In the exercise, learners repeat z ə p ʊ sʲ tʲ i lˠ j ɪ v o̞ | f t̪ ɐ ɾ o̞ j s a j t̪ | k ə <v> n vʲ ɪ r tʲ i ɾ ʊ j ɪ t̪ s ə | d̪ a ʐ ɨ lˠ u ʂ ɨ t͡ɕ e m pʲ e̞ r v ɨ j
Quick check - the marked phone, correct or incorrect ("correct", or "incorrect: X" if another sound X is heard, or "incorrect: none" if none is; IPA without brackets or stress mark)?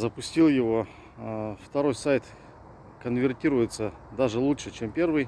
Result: incorrect: none